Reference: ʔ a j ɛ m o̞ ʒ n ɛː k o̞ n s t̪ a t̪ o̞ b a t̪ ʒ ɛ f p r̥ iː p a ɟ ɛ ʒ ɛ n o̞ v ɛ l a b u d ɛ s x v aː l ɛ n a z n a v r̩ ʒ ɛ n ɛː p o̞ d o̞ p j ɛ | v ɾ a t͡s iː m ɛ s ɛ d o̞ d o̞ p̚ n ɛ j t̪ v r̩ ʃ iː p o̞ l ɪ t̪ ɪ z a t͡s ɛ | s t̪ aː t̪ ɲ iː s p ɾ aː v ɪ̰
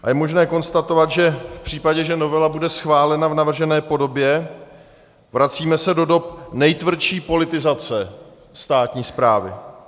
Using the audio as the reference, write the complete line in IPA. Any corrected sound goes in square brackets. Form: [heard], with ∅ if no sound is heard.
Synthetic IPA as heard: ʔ a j ɛ m o̞ ʒ n ɛː k o̞ n s t̪ a t̪ o̞ [v] a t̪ ʒ ɛ f p r̥ iː p a ɟ ɛ ʒ ɛ n o̞ v ɛ l a b u d ɛ s x v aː l ɛ n a [v] n a v r̩ ʒ ɛ n ɛː p o̞ d o̞ [b] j ɛ | v ɾ a t͡s iː m ɛ s ɛ d o̞ d o̞ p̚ n ɛ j t̪ v r̩ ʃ iː p o̞ l ɪ t̪ ɪ z a t͡s ɛ | s t̪ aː t̪ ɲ iː s p ɾ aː v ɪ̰